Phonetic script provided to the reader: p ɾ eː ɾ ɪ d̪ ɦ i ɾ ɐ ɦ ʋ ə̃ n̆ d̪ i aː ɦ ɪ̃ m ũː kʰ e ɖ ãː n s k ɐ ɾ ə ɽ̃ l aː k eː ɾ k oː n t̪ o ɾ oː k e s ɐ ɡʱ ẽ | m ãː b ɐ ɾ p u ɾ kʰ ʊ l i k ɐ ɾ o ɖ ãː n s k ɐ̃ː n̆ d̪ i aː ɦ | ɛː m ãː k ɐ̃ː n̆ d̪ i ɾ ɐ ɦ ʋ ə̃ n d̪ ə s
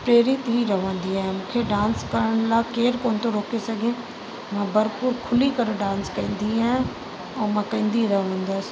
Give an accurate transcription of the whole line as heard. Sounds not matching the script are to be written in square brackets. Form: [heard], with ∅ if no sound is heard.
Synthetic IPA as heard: p ɾ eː ɾ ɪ [t̪] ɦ i ɾ ɐ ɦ ʋ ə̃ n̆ d̪ i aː ɦ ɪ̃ m ũː kʰ e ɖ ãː n s k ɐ ɾ ə ɽ̃ l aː k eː ɾ k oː n t̪ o ɾ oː k e s ɐ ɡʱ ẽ | m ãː b ɐ ɾ p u ɾ kʰ ʊ l i k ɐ ɾ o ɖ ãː n s k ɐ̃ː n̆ d̪ i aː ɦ | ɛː m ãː k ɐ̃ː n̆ d̪ i ɾ ɐ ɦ ʋ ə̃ n d̪ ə s